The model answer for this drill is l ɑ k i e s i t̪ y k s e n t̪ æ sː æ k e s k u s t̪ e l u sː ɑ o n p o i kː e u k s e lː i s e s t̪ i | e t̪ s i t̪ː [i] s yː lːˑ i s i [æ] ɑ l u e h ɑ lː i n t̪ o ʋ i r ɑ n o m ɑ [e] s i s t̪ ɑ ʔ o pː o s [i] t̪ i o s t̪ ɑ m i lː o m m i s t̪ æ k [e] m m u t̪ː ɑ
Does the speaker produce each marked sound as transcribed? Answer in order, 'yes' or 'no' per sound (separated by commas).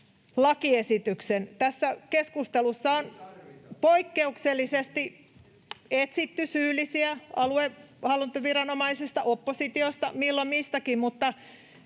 no, yes, no, yes, no